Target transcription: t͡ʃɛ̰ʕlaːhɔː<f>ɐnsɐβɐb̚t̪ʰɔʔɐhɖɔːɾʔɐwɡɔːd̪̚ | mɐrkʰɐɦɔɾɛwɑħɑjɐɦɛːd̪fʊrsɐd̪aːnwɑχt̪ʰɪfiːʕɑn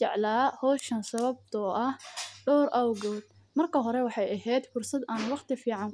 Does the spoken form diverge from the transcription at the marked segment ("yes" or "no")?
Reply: yes